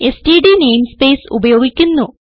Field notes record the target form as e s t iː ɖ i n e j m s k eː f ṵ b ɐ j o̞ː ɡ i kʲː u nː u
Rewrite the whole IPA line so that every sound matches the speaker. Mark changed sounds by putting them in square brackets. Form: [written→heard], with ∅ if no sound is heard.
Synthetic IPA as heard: e s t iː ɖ i n e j m s [k→p] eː [f→s] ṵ b ɐ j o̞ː ɡ i kʲː u nː u